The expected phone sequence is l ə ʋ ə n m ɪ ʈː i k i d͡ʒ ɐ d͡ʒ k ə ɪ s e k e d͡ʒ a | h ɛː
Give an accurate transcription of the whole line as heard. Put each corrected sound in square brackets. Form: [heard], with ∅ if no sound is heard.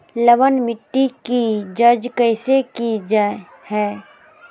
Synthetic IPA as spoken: l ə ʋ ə n m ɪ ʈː i k i d͡ʒ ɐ d͡ʒ k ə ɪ s e k [i] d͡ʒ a | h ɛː